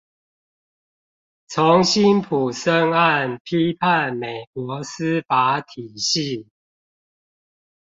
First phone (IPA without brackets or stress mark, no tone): t͡sʰ